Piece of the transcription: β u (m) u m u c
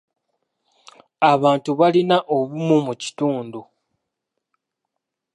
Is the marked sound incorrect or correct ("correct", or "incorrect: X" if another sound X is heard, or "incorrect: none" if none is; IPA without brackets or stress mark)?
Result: correct